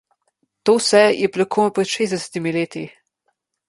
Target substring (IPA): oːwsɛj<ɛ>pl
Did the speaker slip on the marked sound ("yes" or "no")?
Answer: no